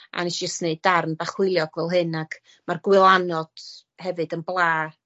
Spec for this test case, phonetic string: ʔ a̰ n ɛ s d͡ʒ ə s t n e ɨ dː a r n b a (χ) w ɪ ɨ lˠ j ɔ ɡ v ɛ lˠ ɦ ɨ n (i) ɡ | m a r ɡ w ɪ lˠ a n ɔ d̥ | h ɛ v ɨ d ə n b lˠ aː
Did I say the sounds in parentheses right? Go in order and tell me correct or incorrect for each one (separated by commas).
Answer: correct, incorrect